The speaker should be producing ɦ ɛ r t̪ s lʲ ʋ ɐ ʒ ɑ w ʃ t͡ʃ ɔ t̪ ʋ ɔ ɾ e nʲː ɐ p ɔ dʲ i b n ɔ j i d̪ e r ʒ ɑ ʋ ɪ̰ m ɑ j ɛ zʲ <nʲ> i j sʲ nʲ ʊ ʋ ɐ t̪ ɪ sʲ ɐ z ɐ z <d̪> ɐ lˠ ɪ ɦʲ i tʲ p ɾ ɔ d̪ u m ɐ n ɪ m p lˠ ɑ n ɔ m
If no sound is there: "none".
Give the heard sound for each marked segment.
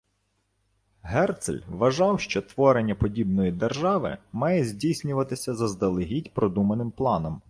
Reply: dʲ, d̪

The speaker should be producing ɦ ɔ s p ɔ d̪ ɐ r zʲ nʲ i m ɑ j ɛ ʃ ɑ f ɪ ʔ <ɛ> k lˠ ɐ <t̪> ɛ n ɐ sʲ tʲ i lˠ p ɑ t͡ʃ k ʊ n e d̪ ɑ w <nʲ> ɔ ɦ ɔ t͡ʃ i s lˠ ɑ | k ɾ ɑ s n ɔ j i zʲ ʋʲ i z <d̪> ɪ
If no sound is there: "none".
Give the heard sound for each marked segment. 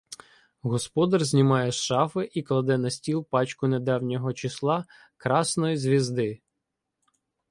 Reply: i, d̪, nʲ, d̪

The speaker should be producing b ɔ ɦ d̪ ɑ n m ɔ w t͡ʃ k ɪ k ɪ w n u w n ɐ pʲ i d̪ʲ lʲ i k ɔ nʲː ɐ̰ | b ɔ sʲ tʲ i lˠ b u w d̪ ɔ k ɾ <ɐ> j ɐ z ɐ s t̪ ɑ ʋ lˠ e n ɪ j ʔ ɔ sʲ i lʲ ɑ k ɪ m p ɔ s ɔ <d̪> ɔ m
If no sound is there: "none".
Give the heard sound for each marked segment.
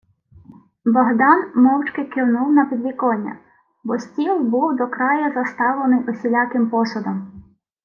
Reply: ɑ, d̪

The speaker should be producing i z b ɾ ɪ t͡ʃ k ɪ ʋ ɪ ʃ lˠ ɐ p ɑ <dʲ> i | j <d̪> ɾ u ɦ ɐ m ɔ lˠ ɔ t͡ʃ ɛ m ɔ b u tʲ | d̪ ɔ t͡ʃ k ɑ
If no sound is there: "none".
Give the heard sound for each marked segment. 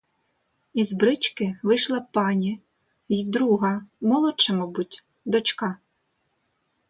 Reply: nʲ, d̪

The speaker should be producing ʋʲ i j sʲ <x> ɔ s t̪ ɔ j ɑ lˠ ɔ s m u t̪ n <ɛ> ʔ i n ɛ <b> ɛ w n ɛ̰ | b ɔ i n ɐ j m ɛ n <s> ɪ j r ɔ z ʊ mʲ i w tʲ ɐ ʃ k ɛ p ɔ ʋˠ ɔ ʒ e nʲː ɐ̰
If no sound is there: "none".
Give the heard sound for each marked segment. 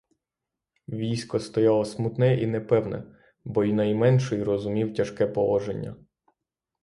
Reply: k, ɛ, p, ʃ

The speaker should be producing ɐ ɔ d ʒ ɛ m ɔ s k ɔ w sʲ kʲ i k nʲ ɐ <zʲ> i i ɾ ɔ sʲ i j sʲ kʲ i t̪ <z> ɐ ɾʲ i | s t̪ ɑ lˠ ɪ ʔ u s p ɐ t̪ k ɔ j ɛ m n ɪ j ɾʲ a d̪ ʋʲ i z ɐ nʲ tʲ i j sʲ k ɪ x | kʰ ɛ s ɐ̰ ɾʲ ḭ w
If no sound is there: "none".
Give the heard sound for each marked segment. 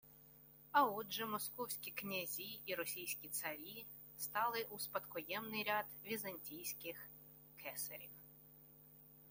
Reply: zʲ, s

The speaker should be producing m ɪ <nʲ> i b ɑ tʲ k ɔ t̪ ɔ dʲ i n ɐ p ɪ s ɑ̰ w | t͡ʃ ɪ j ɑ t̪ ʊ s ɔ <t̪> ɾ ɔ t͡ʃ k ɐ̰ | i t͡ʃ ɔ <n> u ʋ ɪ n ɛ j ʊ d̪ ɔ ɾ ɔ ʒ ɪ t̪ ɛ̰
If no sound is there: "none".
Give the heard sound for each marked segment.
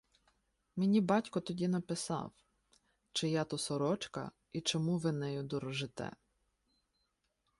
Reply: nʲ, none, m

